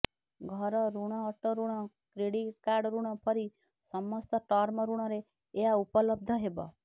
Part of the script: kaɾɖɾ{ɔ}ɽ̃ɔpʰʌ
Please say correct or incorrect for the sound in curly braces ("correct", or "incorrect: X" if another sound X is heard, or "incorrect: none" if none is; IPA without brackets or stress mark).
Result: incorrect: u